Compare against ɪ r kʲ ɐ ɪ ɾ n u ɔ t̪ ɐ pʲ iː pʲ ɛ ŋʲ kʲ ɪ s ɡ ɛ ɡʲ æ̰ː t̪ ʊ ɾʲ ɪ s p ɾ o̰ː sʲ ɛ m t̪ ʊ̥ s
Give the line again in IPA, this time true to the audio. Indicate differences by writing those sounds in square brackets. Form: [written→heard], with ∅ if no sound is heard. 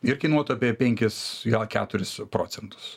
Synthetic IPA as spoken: ɪ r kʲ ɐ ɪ [ɾ→∅] n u ɔ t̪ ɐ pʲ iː pʲ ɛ ŋʲ kʲ ɪ s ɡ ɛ [ɡʲ→kʲ] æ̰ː t̪ ʊ ɾʲ ɪ s p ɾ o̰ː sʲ ɛ [m→n] t̪ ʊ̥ s